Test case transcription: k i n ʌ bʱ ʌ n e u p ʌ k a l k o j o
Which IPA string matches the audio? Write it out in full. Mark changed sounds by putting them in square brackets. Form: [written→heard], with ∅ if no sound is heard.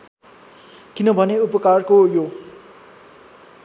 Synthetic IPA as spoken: k i n ʌ bʱ ʌ n e u p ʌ k a [l→r] k o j o

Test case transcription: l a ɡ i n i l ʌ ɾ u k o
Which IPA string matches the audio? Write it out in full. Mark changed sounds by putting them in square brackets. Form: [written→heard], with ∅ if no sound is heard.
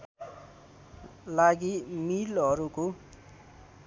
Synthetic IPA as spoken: l a ɡ i [n→m] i l ʌ ɾ u k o

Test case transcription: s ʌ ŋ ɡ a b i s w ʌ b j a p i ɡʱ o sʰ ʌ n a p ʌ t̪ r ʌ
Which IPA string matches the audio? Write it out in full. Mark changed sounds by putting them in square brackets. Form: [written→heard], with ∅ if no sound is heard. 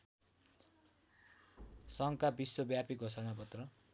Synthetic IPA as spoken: s ʌ ŋ [ɡ→k] a b i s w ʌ b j a p i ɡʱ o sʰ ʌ n a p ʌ t̪ r ʌ

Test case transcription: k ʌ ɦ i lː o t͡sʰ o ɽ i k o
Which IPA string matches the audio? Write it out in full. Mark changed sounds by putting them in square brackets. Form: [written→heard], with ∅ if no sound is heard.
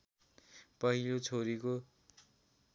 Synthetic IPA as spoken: [k→p] ʌ ɦ i [lː→l] o t͡sʰ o [ɽ→ɾ] i k o

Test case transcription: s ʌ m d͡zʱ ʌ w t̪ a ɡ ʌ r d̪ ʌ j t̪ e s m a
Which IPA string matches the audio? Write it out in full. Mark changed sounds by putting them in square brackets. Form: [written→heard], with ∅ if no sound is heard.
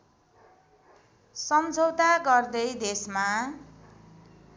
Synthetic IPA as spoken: s ʌ m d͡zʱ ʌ w t̪ a ɡ ʌ r d̪ ʌ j [t̪→d̪] e s m a

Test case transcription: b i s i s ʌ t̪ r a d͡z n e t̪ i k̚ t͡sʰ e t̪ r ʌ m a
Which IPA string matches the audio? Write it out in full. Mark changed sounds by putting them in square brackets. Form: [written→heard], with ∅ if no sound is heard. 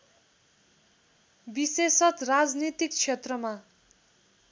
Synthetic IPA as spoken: b i s [i→e] s ʌ t̪ r a d͡z n [e→i] t̪ i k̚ t͡sʰ e t̪ r ʌ m a

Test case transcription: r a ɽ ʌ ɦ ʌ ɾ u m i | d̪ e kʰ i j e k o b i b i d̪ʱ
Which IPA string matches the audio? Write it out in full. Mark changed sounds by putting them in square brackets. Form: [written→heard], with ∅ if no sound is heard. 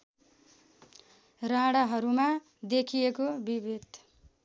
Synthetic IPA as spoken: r a ɽ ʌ ɦ ʌ ɾ u m [i→a] | d̪ e kʰ i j e k o b i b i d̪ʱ

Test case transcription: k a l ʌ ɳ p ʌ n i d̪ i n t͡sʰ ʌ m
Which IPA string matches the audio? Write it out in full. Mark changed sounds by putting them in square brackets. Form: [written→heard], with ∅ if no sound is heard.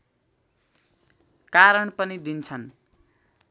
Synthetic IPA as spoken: k a [l→ɾ] ʌ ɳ p ʌ n i d̪ i n t͡sʰ ʌ [m→n]

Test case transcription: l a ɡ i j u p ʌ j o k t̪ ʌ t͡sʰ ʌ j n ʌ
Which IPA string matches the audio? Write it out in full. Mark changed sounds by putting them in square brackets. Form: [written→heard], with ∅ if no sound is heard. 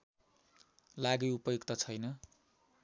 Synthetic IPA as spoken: l a ɡ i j u p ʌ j o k t̪ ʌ t͡sʰ ʌ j n ʌ

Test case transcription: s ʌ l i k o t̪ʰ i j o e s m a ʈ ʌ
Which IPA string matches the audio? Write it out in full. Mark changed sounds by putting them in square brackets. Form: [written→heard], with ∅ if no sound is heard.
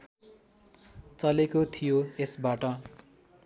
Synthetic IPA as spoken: [s→t͡s] ʌ l [i→e] k o t̪ʰ i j o e s [m→b] a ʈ ʌ

